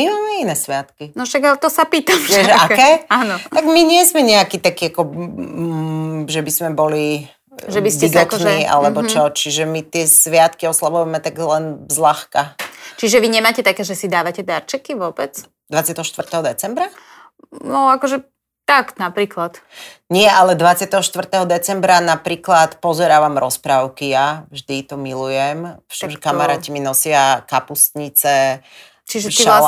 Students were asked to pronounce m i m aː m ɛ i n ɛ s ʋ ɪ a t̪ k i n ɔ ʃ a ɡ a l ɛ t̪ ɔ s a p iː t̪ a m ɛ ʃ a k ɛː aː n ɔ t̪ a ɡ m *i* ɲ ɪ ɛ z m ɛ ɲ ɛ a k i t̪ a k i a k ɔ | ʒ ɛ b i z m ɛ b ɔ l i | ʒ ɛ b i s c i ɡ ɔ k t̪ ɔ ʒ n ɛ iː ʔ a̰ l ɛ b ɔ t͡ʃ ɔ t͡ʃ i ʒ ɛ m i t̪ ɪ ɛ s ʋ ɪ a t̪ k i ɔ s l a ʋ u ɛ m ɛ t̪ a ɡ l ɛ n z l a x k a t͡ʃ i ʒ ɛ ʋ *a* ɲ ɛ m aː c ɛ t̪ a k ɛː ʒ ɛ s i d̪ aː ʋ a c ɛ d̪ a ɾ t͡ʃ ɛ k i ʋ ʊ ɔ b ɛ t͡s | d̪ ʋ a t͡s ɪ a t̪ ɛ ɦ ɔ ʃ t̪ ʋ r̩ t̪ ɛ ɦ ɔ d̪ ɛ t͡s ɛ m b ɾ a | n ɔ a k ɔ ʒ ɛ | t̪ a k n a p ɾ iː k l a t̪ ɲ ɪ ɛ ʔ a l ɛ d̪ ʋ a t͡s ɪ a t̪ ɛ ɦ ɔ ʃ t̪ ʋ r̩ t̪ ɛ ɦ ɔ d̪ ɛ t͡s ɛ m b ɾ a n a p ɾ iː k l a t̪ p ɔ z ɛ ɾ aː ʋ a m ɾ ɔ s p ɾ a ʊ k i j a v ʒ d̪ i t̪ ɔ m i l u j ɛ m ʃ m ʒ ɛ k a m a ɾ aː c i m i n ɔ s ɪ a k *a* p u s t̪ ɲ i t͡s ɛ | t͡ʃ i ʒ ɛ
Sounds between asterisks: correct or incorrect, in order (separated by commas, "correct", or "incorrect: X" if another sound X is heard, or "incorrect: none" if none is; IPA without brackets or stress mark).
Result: correct, incorrect: i, correct